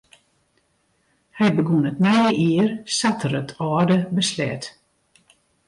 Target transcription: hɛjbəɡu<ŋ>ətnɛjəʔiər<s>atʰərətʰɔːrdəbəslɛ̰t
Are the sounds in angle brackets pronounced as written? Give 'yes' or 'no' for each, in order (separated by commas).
no, yes